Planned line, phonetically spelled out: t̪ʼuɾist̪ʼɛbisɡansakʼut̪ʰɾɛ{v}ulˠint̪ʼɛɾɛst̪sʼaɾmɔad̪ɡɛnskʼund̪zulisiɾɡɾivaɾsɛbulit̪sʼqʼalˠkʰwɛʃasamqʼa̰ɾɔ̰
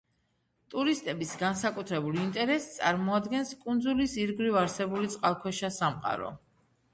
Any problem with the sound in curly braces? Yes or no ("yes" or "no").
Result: yes